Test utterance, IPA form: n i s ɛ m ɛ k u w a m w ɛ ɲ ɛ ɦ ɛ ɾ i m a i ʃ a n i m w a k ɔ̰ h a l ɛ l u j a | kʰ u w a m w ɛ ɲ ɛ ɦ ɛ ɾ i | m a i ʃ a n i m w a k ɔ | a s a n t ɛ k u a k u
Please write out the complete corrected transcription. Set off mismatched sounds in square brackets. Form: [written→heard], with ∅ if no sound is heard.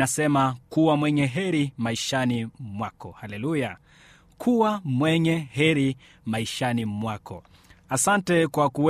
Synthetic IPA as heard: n [i→a] s ɛ m [ɛ→a] k u w a m w ɛ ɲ ɛ ɦ ɛ ɾ i m a i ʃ a n i m w a k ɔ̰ h a l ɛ l u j a | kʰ u w a m w ɛ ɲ ɛ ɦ ɛ ɾ i | m a i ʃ a n i m w a k ɔ | a s a n t ɛ k [u→w] a k u